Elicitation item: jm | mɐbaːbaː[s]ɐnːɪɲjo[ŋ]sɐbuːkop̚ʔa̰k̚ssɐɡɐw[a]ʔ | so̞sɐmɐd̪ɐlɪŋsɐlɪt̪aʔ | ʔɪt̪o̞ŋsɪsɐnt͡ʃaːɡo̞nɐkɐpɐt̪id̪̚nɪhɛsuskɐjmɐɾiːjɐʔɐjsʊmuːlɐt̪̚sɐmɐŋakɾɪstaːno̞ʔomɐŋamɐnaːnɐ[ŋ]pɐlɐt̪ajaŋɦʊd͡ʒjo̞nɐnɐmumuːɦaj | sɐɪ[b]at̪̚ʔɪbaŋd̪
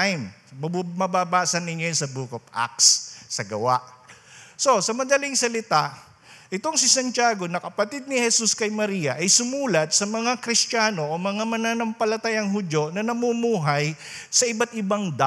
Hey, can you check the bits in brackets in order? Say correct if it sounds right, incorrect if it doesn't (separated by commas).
correct, incorrect, correct, incorrect, correct